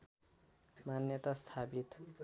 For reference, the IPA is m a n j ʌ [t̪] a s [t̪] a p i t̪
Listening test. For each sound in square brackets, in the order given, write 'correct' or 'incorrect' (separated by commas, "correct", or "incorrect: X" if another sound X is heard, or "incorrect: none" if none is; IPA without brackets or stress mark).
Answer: correct, incorrect: t̪ʰ